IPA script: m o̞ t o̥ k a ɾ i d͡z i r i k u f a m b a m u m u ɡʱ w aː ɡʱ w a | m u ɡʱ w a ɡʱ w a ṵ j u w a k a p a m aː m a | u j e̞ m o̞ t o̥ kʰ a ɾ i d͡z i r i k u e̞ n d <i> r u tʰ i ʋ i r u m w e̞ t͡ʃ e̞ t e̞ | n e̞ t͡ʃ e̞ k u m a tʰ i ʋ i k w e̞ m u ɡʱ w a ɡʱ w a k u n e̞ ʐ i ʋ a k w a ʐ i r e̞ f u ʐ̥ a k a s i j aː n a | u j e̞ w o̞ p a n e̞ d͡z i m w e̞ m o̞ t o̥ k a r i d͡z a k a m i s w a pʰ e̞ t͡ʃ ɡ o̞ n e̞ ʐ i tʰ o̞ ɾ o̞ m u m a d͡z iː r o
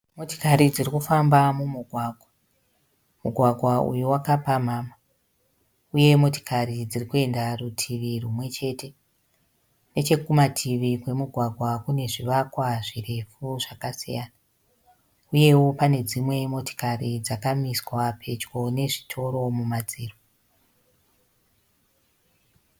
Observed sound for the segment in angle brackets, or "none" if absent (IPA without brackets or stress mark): a